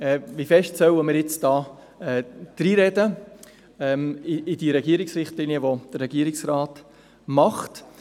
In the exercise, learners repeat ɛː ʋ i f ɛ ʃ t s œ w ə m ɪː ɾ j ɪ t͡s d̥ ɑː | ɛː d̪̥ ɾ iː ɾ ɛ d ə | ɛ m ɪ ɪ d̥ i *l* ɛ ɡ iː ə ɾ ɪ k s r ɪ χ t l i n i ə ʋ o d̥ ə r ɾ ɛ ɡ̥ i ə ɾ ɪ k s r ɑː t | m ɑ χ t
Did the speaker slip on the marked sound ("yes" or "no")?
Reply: yes